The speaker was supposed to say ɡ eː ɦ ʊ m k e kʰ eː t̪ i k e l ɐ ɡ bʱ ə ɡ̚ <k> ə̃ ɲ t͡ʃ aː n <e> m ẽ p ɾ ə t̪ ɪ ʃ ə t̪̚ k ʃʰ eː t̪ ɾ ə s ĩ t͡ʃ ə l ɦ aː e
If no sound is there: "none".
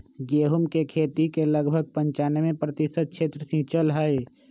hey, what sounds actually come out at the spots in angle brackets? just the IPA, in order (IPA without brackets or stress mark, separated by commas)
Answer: p, e